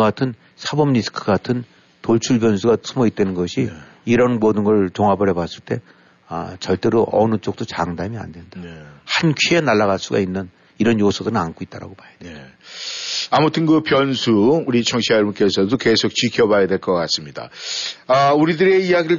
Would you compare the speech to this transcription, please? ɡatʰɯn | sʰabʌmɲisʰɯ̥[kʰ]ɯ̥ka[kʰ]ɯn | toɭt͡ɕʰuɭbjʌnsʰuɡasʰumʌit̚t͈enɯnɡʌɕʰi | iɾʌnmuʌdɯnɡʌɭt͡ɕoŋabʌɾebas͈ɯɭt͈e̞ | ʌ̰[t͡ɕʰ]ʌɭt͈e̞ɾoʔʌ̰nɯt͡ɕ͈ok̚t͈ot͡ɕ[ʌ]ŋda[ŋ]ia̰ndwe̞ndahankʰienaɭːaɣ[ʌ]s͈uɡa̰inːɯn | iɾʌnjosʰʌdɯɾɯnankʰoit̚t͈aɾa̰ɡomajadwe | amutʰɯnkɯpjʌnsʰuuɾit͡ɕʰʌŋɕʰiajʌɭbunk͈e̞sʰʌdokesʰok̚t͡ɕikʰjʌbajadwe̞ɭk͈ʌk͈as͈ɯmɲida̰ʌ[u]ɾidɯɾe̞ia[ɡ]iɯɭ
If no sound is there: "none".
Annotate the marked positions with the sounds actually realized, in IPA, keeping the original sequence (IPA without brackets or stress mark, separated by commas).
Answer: kʰ, tʰ, t͡ɕ, a, m, a, u, ɡ